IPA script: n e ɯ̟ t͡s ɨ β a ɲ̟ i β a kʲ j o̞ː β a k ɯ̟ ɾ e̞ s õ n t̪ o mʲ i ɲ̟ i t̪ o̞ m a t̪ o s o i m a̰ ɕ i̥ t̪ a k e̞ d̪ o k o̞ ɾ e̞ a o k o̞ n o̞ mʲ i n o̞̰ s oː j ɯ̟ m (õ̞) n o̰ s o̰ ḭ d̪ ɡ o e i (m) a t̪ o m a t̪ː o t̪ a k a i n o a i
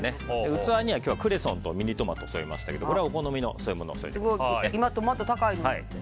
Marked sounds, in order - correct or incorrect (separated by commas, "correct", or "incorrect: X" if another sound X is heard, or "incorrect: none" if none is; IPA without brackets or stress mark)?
incorrect: o̞, correct